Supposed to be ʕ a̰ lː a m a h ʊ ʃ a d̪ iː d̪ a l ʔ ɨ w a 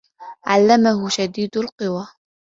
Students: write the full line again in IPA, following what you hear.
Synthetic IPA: ʕ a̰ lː a m a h ʊ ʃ a d̪ iː d̪ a l q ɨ w a